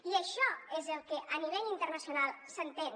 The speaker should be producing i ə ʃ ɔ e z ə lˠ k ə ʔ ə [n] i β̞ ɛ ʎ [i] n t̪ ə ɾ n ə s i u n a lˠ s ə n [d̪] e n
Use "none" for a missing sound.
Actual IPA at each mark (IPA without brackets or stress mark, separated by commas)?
n, i, t̪